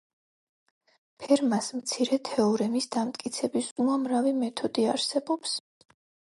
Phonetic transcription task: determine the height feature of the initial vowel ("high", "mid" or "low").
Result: mid